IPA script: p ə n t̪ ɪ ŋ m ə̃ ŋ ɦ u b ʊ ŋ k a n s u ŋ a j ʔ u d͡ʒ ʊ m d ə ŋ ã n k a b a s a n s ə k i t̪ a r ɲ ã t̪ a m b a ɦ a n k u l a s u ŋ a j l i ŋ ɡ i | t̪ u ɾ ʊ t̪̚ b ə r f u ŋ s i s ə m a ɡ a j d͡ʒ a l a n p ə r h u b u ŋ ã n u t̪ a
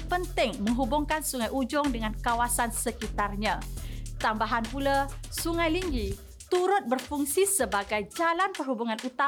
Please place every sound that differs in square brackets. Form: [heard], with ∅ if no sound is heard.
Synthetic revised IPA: p ə n t̪ ɪ ŋ m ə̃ ŋ ɦ u b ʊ ŋ k a n s u ŋ a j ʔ u d͡ʒ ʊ [ŋ] d ə ŋ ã n k a [w] a s a n s ə k i t̪ a r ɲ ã t̪ a m b a ɦ a n [p] u l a s u ŋ a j l i ŋ ɡ i | t̪ u ɾ ʊ t̪̚ b ə r f u ŋ s i s ə [b] a ɡ a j d͡ʒ a l a n p ə r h u b u ŋ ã n u t̪ a